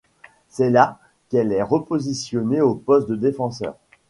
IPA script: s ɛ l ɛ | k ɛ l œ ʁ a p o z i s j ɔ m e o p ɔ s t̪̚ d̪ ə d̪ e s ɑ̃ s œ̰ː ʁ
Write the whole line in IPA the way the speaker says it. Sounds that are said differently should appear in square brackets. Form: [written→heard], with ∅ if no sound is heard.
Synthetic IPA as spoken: s ɛ l [ɛ→a] | k ɛ l [œ→ɛ] ʁ [a→ə] p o z i s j ɔ [m→n] e o p ɔ s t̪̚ d̪ ə d̪ e [s→f] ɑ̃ s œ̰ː ʁ